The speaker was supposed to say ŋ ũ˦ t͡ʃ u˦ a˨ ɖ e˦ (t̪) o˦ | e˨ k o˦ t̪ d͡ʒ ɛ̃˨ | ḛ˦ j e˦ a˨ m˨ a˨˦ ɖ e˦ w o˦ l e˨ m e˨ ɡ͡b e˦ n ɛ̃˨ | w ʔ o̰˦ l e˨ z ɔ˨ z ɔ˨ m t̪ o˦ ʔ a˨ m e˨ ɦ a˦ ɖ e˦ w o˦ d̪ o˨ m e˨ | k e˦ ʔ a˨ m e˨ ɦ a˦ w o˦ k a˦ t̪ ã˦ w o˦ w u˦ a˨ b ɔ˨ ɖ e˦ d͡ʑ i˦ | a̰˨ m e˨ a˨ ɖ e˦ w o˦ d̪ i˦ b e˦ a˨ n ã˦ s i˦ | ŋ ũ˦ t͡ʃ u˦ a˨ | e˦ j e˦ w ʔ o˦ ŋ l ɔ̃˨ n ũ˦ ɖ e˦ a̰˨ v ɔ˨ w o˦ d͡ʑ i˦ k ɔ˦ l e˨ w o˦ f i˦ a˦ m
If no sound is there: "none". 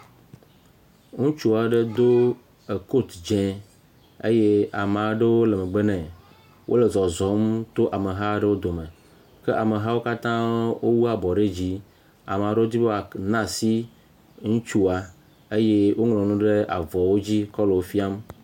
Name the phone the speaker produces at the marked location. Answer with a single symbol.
d̪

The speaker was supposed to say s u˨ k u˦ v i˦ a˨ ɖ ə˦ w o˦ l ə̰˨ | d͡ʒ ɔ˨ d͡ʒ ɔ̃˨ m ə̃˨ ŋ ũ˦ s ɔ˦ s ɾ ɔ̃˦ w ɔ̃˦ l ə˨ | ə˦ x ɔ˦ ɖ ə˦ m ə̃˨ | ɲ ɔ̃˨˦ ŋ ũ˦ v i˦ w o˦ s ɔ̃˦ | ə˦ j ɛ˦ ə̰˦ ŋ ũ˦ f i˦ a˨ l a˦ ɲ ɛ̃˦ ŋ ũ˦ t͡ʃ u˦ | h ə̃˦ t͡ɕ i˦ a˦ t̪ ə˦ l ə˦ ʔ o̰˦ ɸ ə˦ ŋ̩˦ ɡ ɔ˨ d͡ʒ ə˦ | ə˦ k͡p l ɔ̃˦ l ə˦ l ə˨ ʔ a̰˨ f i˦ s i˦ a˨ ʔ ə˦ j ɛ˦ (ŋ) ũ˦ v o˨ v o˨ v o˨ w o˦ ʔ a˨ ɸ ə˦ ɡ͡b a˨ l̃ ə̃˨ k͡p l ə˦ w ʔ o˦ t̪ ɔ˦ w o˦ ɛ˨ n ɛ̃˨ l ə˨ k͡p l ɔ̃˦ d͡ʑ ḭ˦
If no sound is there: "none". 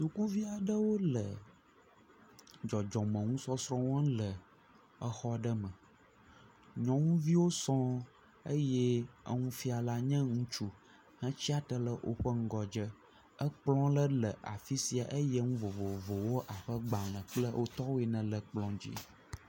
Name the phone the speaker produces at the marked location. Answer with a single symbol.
ŋ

